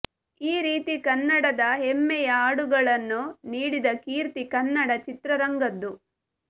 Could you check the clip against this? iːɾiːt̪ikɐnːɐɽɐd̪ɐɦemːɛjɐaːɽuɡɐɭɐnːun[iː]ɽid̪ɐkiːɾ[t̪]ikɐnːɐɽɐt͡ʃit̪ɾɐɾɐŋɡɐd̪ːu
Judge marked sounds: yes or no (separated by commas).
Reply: yes, yes